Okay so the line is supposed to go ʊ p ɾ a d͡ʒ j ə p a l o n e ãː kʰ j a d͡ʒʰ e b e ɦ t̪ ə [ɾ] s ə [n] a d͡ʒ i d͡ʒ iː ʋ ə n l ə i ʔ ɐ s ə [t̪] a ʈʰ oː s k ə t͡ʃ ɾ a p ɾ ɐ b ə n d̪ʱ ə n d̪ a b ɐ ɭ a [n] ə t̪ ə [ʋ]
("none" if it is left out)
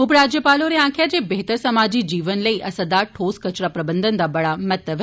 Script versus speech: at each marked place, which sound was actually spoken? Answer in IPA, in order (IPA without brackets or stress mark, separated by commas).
ɾ, m, d̪, m, ʋ